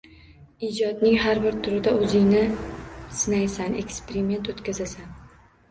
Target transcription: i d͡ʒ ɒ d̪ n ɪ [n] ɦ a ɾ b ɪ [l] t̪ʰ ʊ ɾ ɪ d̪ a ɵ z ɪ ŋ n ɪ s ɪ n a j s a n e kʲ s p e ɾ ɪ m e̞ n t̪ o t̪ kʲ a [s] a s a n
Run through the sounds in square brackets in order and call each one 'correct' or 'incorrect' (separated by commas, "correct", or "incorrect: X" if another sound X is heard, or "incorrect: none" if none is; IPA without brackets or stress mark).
incorrect: ŋ, incorrect: ɾ, incorrect: z